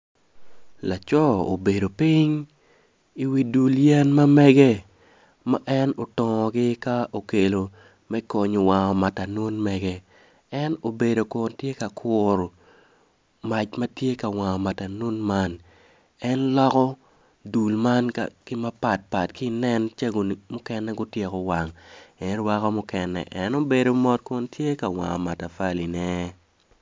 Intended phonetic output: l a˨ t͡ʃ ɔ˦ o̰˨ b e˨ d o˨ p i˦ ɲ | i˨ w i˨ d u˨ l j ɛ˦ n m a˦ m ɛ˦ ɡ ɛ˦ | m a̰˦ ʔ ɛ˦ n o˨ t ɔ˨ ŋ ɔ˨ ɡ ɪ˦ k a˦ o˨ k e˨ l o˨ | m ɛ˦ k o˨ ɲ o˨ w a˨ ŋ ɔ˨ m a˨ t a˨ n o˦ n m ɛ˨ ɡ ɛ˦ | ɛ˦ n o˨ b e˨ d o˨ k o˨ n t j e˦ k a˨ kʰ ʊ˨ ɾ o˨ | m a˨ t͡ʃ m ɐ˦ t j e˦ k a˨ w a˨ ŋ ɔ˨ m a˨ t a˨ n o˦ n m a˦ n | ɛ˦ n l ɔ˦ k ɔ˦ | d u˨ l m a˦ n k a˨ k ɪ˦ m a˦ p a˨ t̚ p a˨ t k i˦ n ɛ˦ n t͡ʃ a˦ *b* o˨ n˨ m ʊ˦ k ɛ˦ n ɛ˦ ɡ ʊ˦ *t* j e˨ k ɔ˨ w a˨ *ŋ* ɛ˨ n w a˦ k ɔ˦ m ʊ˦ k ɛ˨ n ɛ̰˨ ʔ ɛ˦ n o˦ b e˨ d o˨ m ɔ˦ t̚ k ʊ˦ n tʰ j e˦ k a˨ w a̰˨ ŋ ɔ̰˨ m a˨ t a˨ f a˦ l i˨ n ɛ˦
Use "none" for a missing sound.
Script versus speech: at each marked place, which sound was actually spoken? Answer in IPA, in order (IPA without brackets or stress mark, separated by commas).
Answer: ɡ, t, ŋ